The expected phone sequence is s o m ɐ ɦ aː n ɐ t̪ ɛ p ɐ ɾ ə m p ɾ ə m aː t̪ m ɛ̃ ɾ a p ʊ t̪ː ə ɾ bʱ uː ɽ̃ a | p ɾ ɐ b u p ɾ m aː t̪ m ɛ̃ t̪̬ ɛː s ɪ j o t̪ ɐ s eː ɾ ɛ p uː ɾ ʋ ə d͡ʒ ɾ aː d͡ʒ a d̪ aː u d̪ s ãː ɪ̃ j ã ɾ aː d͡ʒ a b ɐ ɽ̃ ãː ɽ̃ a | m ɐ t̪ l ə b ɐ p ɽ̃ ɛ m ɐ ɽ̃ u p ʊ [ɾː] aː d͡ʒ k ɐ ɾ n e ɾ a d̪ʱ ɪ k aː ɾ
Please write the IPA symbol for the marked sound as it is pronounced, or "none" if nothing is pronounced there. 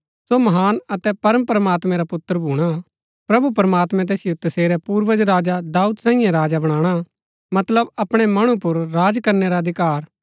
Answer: ɾː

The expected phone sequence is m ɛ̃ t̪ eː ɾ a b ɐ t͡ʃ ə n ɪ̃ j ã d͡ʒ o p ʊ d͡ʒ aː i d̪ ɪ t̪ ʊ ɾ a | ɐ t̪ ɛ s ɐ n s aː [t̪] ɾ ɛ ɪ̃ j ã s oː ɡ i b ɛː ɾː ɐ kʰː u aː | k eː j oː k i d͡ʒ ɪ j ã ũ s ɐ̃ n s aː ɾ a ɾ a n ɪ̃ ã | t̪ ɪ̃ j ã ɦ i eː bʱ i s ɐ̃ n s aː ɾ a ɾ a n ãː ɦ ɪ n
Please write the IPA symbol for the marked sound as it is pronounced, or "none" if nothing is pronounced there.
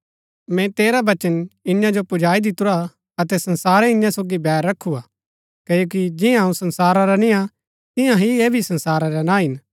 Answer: none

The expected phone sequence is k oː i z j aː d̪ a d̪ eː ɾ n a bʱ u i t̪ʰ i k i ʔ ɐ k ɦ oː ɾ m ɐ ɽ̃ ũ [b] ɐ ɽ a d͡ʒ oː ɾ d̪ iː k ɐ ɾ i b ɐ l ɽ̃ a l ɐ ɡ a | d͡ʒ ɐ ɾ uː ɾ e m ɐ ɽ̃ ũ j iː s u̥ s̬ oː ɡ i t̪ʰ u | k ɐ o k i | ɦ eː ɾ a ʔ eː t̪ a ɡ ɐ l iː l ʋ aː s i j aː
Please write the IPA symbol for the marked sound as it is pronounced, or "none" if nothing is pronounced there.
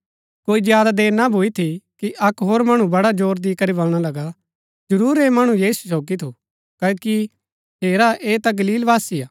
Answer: b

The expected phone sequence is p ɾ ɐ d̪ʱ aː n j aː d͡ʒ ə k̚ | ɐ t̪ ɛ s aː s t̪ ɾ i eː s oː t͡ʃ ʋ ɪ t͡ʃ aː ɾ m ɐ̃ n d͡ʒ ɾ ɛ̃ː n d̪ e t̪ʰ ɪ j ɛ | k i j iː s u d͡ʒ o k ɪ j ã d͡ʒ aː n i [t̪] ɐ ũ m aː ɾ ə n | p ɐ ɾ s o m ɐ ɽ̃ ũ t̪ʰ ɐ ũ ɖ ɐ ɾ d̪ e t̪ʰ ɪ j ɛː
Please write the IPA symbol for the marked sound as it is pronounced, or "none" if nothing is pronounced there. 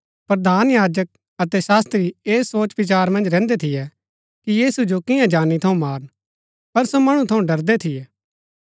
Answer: t̪ʰ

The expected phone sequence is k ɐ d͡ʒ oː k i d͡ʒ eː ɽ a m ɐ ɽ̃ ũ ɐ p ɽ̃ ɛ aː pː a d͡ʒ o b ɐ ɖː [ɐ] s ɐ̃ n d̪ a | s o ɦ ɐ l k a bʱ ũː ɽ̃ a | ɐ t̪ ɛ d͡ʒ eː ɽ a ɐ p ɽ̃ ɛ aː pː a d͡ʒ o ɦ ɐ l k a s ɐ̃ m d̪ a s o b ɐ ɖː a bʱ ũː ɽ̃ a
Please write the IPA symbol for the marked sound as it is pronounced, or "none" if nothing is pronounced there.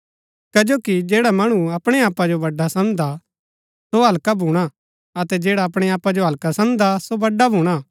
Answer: a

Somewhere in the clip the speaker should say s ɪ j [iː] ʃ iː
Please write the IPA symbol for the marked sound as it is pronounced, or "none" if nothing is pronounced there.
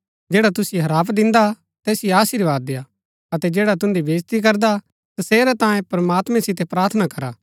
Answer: aː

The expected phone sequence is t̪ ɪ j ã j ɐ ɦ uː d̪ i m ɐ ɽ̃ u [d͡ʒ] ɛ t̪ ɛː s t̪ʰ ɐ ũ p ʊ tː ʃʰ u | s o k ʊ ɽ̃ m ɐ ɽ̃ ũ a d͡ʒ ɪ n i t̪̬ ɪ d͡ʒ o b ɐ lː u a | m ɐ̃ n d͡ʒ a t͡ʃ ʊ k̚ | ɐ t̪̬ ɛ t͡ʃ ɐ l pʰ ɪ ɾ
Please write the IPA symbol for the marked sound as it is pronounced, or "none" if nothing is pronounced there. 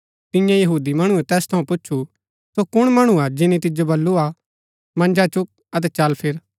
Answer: none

